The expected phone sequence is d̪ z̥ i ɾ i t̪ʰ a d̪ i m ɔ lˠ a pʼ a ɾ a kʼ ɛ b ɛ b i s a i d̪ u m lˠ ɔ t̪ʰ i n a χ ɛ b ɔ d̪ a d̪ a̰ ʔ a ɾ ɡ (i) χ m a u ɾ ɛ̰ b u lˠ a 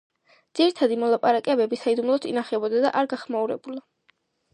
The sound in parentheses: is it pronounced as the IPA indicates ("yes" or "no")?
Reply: no